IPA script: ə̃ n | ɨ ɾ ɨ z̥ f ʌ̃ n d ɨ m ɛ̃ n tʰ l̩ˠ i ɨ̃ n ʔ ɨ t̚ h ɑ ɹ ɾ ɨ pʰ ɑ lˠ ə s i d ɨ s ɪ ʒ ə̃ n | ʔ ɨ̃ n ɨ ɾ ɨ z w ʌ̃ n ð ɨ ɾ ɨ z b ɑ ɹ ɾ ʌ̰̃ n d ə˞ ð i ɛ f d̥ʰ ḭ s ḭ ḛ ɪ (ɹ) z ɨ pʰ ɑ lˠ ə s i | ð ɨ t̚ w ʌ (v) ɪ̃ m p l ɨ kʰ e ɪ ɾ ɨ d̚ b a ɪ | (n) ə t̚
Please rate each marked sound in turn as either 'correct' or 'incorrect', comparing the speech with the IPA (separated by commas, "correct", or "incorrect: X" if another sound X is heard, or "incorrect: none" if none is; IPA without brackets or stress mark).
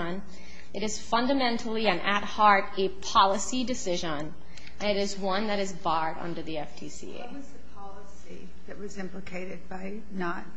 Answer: incorrect: none, incorrect: z, correct